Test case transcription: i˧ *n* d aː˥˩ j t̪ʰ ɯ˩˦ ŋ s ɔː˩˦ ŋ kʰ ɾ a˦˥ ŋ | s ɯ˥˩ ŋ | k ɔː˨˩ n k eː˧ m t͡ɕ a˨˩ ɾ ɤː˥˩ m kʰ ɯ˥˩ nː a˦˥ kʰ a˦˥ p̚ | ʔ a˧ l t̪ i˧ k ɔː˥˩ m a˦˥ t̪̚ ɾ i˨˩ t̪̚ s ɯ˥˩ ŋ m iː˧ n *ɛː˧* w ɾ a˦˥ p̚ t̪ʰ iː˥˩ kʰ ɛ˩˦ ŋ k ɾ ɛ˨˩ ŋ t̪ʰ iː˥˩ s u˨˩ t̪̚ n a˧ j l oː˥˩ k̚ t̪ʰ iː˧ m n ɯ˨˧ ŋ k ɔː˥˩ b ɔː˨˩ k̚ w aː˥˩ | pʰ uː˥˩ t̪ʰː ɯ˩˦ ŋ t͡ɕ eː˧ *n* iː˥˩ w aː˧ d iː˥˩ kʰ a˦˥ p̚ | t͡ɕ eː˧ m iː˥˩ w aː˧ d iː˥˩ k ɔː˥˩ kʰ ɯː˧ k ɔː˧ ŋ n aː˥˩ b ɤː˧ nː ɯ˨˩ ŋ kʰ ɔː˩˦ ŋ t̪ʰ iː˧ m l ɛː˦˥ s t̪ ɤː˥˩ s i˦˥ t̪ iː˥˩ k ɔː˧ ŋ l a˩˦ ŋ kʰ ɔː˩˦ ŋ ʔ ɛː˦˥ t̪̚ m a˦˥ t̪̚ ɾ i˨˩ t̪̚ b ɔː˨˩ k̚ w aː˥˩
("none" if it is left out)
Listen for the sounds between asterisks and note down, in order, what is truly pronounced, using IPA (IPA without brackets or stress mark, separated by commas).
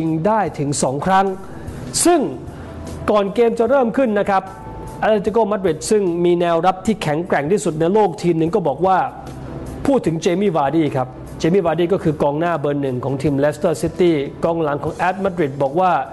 ŋ, ɛː˧, m